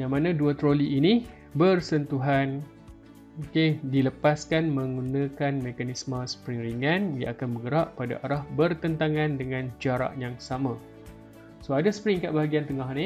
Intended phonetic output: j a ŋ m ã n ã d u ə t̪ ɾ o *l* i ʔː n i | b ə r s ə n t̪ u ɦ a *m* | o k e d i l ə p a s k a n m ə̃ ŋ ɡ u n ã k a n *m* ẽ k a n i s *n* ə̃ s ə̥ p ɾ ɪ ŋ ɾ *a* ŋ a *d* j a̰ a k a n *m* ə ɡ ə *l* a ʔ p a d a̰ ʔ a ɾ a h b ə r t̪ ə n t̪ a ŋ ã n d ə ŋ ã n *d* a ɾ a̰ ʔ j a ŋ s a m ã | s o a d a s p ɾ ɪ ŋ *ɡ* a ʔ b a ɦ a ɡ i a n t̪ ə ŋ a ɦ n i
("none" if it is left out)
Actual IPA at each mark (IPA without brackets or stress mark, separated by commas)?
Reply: l, n, m, m, i, n, b, ɾ, d͡ʒ, k